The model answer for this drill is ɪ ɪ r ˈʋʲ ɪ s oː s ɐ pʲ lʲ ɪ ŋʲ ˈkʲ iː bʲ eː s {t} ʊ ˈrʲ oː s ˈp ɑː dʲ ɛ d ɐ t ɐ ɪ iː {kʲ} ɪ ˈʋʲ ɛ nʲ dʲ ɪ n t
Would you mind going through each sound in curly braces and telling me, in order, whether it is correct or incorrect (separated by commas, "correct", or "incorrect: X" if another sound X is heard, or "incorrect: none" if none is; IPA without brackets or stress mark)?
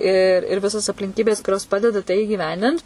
incorrect: k, incorrect: ɡʲ